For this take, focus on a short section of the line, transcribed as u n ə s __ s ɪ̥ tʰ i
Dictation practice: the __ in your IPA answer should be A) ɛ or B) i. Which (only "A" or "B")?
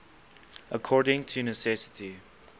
A